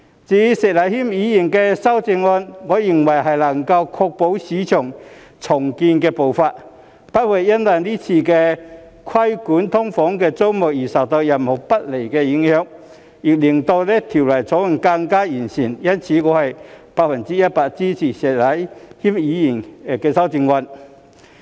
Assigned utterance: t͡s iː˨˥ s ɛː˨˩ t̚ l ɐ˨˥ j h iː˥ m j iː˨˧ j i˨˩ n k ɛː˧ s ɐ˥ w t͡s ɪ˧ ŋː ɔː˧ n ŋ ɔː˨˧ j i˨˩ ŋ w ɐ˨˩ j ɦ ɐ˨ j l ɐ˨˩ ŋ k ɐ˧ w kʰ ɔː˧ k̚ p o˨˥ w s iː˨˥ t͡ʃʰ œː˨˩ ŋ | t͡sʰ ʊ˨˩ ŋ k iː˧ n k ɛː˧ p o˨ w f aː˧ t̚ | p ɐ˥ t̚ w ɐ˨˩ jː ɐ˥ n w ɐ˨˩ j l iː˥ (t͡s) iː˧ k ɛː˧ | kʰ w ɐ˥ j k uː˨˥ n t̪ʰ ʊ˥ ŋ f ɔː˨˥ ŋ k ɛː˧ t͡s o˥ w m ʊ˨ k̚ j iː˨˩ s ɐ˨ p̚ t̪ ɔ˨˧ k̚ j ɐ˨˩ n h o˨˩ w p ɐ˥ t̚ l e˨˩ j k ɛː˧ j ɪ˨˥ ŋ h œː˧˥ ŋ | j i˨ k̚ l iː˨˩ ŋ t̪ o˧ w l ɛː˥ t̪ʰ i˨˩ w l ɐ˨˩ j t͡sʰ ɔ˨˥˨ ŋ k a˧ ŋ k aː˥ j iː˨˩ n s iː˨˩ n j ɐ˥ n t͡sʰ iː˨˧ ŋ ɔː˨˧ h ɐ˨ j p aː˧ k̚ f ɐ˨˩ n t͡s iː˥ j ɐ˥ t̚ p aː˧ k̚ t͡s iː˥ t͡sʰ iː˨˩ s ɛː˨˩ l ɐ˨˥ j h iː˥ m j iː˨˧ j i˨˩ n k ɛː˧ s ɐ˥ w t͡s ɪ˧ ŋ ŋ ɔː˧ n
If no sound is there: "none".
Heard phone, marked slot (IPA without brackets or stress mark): t͡sʰ